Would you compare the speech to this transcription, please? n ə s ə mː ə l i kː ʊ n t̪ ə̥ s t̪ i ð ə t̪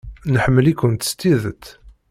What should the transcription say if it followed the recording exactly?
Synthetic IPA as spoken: n ə ħ ə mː ə l i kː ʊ n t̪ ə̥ s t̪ i ð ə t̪